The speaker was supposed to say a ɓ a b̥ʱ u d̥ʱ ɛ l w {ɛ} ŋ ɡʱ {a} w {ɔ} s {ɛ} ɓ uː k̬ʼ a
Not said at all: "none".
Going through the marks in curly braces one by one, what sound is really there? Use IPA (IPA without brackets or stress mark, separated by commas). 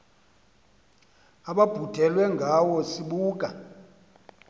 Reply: ɛ, a, ɔ, i